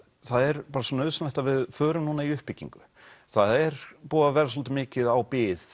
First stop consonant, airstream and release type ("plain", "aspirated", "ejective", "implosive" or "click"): plain